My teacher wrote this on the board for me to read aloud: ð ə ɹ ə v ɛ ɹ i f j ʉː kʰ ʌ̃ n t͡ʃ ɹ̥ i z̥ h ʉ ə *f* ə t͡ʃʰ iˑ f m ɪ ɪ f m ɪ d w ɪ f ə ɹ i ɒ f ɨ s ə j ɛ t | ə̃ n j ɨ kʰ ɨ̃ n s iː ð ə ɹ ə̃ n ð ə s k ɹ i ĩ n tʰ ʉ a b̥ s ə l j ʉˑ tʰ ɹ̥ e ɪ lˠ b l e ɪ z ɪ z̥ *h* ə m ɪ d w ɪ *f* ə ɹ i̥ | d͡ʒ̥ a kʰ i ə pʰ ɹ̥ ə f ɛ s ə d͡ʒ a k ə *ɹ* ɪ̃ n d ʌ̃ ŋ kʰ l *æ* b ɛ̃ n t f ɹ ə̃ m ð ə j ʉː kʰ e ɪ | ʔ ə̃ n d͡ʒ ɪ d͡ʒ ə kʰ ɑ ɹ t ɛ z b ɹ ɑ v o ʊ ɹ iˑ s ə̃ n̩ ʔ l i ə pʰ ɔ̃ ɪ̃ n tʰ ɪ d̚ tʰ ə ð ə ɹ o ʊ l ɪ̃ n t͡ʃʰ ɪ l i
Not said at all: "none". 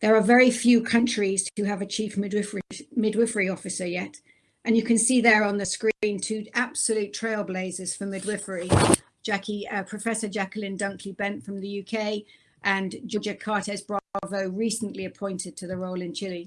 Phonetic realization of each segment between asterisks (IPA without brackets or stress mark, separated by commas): v, f, f, l, i